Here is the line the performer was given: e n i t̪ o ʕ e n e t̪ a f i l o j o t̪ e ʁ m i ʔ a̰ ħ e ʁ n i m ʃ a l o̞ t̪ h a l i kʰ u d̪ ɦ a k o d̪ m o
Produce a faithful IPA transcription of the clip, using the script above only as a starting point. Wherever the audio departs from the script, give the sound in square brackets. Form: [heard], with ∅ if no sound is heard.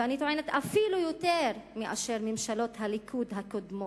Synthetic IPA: [a] n i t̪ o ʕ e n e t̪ a f i l [u] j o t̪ e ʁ m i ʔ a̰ [ʃ] e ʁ [m] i m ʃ a l o̞ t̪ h a l i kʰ u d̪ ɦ a k o d̪ m o